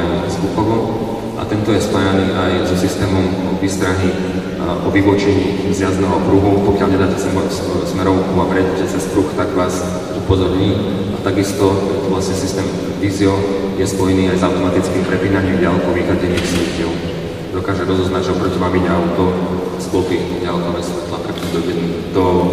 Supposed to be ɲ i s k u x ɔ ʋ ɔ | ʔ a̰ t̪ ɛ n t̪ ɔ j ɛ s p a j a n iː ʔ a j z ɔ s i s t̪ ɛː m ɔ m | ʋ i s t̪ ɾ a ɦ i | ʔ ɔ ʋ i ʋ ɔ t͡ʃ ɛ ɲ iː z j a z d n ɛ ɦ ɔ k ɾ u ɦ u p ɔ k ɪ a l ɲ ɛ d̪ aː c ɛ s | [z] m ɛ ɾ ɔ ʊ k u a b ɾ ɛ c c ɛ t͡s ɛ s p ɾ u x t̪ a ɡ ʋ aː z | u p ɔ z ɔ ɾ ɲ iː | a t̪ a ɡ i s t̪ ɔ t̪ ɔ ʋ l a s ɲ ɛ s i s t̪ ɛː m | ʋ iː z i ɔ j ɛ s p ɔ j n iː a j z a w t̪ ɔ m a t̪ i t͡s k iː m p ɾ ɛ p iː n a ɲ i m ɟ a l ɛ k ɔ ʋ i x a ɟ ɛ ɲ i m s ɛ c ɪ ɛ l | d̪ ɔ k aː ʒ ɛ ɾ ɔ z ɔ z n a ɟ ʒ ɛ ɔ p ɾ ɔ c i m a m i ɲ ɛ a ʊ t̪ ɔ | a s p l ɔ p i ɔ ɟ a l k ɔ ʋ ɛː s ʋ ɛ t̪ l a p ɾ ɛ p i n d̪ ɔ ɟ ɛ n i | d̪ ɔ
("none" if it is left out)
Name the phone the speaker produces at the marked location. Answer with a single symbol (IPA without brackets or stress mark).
s